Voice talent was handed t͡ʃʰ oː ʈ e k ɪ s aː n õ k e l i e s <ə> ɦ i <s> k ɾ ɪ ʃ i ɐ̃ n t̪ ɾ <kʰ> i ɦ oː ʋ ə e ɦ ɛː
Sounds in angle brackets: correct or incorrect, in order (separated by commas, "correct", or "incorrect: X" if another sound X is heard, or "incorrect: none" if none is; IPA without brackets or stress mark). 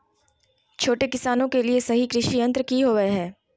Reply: incorrect: ɐ, incorrect: none, incorrect: k